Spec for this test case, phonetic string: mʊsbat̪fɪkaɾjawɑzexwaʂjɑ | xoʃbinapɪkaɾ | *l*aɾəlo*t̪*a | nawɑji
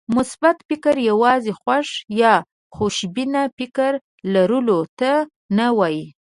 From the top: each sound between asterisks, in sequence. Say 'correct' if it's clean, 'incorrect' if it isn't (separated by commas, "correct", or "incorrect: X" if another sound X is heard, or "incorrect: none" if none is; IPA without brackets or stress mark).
correct, correct